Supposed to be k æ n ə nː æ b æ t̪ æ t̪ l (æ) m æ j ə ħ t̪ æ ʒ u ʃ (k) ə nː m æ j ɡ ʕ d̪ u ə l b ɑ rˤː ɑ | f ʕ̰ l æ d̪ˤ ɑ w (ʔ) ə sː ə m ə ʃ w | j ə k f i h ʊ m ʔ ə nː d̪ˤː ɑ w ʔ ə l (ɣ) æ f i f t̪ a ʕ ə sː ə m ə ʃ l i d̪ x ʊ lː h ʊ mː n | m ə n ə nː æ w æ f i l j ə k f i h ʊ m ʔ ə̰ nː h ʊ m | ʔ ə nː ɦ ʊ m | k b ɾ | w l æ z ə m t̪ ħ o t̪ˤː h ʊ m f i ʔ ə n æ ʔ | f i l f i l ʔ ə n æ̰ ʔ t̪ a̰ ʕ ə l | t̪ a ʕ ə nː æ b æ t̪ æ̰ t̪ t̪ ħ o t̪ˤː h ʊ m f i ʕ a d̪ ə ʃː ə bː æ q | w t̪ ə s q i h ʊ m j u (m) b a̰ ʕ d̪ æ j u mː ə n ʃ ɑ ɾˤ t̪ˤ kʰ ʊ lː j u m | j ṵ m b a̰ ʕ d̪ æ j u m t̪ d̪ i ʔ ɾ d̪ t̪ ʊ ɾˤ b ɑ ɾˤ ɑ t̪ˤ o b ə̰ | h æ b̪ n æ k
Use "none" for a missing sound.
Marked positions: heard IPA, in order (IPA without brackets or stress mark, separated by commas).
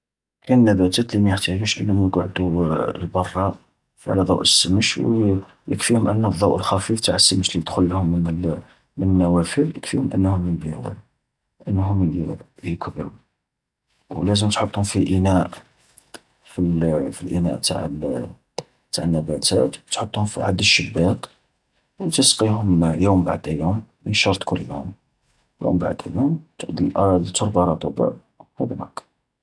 i, ʔ, ʔ, x, m